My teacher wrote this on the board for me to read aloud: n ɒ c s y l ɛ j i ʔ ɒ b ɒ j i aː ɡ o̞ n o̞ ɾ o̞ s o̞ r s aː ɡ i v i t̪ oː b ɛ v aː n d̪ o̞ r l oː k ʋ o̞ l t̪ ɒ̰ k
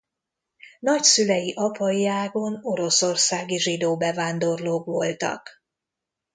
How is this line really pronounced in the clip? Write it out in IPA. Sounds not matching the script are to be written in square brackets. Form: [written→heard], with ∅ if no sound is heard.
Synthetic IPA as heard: n ɒ c s y l ɛ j i ʔ ɒ [b→p] ɒ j i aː ɡ o̞ n o̞ ɾ o̞ s o̞ r s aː ɡ i [v→ʒ] i [t̪→d̪] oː b ɛ v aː n d̪ o̞ r l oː k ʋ o̞ l t̪ ɒ̰ k